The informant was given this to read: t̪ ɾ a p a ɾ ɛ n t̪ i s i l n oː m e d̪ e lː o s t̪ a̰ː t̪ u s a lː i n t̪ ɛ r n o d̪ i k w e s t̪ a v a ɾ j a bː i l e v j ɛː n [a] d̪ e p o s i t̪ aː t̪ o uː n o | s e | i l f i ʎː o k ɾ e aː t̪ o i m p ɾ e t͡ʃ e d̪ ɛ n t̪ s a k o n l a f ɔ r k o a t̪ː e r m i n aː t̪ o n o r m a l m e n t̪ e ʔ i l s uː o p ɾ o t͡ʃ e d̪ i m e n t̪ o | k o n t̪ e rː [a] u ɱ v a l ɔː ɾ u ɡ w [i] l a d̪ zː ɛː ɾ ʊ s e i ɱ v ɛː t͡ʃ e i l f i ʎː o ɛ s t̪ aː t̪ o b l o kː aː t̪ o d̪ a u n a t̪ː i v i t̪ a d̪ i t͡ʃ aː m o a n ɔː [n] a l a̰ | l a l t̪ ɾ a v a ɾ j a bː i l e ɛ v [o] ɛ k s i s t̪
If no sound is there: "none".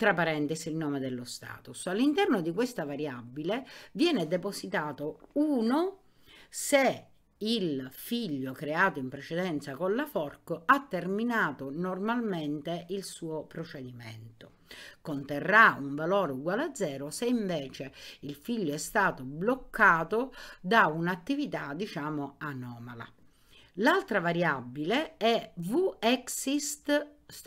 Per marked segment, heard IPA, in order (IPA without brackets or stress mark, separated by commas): e, a, a, m, u